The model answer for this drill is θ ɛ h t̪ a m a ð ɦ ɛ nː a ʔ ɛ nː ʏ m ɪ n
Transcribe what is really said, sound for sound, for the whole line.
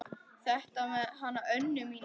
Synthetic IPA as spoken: θ ɛ h t̪ a m ɛ ð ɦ a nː a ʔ œ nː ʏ m i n